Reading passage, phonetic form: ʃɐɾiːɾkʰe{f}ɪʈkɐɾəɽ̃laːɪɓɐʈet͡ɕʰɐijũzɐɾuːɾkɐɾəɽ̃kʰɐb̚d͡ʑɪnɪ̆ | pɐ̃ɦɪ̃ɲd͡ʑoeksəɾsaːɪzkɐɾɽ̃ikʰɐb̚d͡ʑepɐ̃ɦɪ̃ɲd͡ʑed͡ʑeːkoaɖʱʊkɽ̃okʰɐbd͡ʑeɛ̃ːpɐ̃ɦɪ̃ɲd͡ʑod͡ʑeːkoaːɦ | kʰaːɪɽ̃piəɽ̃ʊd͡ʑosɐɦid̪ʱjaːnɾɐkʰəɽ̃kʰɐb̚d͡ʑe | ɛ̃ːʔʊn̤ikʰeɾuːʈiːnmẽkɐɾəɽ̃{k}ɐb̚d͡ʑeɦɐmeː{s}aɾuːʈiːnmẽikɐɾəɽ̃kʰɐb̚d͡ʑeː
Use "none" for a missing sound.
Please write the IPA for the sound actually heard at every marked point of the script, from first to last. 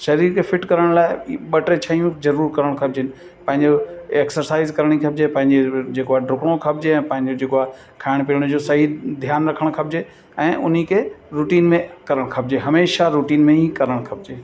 f, kʰ, ʃ

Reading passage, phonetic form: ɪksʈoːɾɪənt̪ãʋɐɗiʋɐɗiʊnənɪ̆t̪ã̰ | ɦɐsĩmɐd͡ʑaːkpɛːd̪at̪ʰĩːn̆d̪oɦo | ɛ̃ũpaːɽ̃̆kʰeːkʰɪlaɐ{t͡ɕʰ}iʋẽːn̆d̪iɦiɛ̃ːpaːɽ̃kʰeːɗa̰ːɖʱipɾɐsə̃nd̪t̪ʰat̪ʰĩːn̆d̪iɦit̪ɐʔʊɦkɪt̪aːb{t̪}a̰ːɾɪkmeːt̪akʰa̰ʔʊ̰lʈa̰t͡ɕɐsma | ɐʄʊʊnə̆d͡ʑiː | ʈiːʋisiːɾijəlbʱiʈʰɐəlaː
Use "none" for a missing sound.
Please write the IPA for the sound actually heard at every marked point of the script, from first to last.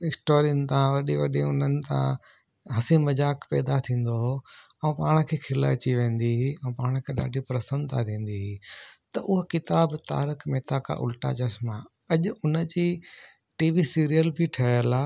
t͡ɕ, t̪

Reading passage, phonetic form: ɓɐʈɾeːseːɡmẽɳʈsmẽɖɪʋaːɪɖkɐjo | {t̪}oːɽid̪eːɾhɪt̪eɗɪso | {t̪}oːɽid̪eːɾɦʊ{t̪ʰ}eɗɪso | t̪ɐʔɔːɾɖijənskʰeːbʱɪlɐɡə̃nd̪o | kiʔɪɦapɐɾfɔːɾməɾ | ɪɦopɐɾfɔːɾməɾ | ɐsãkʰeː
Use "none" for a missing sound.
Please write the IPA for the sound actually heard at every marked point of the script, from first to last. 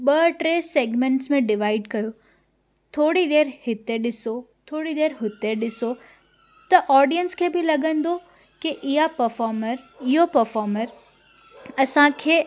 t̪ʰ, t̪ʰ, t̪

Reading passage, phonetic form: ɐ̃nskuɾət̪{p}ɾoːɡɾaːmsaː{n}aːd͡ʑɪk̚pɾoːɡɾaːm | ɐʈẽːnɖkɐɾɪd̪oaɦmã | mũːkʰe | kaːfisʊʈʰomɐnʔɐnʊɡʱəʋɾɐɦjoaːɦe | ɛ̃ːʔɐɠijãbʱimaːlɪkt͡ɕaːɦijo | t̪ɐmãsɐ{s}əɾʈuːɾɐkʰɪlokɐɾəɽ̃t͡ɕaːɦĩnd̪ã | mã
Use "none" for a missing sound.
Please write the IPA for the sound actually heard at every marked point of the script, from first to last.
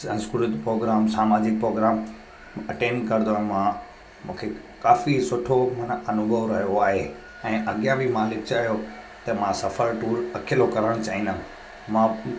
p, m, f

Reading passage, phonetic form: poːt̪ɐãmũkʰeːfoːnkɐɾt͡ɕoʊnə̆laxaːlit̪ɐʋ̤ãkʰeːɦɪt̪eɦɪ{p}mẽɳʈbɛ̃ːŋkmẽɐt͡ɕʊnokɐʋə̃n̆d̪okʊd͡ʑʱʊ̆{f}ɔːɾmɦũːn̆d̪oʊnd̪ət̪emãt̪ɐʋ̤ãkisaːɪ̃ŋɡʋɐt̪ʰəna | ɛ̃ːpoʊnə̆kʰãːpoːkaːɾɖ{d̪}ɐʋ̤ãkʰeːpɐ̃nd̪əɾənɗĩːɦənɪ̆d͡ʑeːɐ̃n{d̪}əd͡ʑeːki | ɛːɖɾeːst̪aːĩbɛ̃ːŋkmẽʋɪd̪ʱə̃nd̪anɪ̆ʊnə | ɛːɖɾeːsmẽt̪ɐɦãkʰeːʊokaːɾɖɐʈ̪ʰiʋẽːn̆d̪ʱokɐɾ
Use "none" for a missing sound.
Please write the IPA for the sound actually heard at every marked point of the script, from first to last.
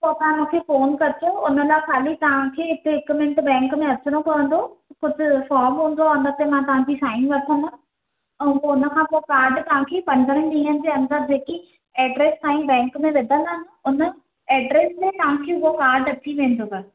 k, f, t̪, d̪

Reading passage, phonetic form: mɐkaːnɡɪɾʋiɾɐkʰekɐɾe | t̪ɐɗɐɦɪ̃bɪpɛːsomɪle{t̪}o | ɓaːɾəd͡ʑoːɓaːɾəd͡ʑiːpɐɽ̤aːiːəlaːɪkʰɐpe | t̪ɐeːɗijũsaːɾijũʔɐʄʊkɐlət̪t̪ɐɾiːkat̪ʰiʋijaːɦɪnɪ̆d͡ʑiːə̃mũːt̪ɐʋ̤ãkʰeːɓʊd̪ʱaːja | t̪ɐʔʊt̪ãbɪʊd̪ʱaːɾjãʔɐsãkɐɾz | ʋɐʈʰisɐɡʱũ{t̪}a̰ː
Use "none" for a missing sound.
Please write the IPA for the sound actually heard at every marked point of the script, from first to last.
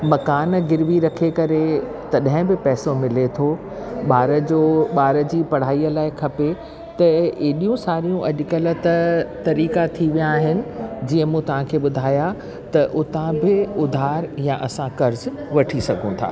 t̪ʰ, t̪ʰ

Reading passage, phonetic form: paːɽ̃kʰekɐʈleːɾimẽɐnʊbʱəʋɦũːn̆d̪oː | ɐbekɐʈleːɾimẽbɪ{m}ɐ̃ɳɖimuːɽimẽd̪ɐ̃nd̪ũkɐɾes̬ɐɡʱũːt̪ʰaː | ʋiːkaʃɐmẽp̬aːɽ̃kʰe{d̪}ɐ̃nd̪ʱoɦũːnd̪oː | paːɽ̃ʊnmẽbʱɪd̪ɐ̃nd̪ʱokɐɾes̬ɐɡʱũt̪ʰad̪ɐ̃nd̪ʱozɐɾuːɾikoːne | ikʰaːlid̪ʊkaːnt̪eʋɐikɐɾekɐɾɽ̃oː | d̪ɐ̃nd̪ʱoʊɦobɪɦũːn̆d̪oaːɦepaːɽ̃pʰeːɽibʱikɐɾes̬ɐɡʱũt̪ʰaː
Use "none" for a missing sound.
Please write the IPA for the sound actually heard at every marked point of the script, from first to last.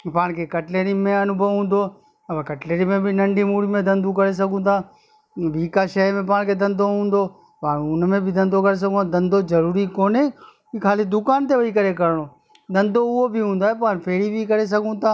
n, d̪

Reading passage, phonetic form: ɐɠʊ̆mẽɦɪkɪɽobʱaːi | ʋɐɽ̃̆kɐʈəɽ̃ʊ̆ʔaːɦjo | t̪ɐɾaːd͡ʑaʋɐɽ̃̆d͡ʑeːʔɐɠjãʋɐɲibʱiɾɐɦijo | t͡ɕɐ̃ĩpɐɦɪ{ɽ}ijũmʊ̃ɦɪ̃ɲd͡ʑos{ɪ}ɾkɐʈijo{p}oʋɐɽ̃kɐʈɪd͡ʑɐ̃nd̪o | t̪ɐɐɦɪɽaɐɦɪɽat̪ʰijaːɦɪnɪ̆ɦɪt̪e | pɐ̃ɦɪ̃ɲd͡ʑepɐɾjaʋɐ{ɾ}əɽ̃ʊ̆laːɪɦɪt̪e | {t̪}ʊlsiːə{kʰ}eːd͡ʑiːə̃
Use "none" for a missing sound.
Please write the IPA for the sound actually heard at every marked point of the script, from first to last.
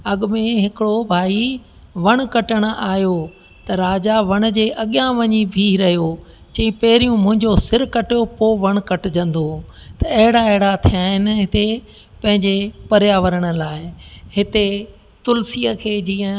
ɾ, ɪ, p, ɾ, t̪, kʰ

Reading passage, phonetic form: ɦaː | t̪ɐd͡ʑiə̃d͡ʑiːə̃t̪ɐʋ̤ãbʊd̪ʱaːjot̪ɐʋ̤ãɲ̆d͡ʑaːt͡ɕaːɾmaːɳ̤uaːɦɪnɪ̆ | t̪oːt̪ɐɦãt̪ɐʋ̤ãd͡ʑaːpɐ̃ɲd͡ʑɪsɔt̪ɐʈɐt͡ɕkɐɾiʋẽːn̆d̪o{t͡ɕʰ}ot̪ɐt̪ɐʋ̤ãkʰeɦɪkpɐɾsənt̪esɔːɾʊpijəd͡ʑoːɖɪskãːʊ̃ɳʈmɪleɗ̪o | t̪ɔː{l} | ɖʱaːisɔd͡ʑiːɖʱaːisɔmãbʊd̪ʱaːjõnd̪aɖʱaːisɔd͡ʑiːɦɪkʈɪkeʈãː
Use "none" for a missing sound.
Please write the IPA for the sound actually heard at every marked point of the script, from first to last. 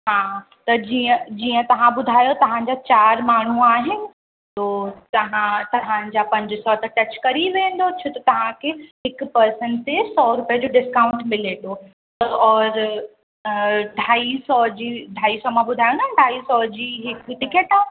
t͡ɕʰ, ɾ

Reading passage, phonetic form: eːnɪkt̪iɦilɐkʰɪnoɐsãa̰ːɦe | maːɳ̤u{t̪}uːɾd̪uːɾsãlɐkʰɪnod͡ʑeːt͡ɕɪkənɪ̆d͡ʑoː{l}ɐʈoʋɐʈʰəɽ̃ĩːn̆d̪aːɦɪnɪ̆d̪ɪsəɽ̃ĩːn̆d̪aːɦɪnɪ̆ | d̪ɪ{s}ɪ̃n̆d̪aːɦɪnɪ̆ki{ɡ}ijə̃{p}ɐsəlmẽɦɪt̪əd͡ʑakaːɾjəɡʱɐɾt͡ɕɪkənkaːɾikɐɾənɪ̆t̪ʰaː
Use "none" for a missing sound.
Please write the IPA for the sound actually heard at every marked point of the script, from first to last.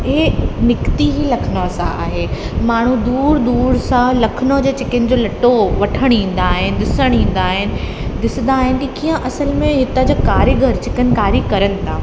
d̪, l, s, k, ʔ

